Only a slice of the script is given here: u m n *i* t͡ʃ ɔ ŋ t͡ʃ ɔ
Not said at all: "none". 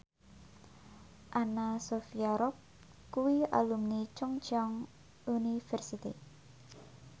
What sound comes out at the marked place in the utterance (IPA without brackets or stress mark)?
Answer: i